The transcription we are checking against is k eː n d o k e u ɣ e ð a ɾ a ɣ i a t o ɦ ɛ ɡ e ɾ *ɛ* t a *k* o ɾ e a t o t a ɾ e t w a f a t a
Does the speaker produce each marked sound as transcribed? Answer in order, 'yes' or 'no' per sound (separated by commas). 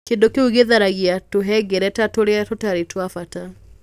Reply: yes, no